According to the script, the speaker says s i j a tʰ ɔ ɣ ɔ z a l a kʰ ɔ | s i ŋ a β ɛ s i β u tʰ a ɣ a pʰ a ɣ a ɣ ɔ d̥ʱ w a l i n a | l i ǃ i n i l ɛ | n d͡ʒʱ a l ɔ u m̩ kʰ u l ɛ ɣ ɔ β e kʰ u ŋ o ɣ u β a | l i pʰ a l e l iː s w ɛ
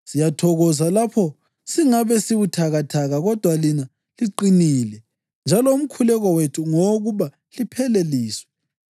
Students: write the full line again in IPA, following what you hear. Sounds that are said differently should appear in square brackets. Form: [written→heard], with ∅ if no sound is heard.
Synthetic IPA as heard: s i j a tʰ ɔ ɣ ɔ z a l a [kʰ→pʰ] ɔ | s i ŋ a β ɛ s i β u tʰ a ɣ a [pʰ→tʰ] a ɣ a ɣ ɔ d̥ʱ w a l i n a | l i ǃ i n i l ɛ | n d͡ʒʱ a l ɔ u m̩ kʰ u l ɛ ɣ ɔ [β→w] e [kʰ→tʰ] u ŋ o ɣ u β a | l i pʰ [a→ɛ] l e l iː s w ɛ

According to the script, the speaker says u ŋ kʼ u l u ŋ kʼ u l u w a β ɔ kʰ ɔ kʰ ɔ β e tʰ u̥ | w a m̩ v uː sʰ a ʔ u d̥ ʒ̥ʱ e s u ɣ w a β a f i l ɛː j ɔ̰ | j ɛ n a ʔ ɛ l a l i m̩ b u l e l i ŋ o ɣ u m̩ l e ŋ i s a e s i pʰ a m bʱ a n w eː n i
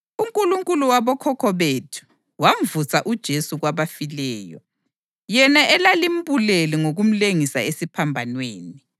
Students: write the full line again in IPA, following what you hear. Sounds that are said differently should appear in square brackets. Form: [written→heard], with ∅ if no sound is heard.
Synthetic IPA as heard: u ŋ kʼ u l u ŋ kʼ u l u w a β ɔ kʰ ɔ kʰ ɔ β e tʰ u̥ | w a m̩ v [uː→u] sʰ a ʔ u d̥ ʒ̥ʱ e s u ɣ w a β a f i l ɛː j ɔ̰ | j ɛ n a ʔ ɛ l a l i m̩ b u l e l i ŋ o ɣ u m̩ l e ŋ i s a e s i pʰ a m bʱ a n w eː n i

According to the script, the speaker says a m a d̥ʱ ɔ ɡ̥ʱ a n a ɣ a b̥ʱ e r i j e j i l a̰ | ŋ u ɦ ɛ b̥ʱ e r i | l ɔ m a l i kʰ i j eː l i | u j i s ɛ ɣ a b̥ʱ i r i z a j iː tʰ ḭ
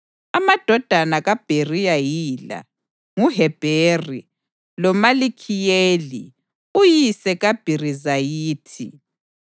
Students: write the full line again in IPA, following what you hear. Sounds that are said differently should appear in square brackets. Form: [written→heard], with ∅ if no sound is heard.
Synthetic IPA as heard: a m a d̥ʱ ɔ [ɡ̥ʱ→d̥ʱ] a n a ɣ a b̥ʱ e r i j [e→a] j i l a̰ | ŋ u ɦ ɛ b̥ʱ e r i | l ɔ m a l i kʰ i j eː l i | u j i s ɛ ɣ a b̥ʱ i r i z a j iː tʰ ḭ

